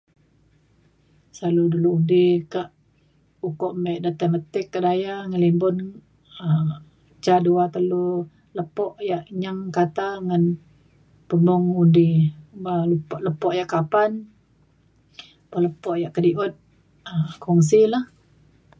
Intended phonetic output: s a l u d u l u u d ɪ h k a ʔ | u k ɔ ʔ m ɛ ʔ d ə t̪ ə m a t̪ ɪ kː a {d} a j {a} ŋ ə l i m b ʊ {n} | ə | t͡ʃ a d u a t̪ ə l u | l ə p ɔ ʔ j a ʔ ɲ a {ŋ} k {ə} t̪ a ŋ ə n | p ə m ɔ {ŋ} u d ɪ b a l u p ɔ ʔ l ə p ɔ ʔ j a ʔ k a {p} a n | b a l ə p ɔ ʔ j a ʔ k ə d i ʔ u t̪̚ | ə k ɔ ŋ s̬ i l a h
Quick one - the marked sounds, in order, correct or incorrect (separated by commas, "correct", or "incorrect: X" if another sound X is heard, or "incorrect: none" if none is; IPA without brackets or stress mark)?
correct, correct, correct, correct, incorrect: a, correct, correct